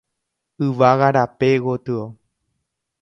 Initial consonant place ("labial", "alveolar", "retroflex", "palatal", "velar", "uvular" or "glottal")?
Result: labial